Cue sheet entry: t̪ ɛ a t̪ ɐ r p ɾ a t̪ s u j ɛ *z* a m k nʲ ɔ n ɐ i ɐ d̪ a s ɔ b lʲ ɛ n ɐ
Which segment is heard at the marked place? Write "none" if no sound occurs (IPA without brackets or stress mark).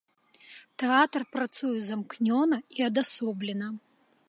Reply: z